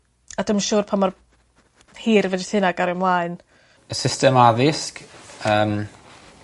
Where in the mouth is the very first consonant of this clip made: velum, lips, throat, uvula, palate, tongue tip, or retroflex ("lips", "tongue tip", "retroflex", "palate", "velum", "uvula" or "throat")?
tongue tip